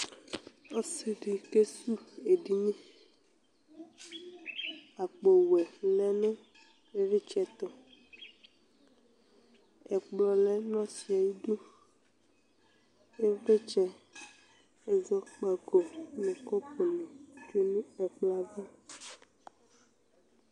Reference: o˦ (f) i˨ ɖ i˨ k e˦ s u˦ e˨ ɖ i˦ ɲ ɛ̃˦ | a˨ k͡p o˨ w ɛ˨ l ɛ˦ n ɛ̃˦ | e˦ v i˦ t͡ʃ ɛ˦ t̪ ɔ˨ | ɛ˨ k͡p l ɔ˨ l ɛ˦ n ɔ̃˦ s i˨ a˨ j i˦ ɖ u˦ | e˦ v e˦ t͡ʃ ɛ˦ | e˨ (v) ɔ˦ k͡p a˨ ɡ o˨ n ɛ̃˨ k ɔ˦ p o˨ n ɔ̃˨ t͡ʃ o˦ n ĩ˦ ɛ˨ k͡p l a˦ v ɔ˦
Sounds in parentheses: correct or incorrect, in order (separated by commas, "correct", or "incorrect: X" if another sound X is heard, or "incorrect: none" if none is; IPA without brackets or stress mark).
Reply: incorrect: s, incorrect: z